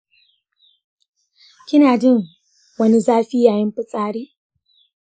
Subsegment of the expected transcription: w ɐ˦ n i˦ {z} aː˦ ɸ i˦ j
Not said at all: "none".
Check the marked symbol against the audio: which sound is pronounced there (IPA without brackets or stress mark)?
z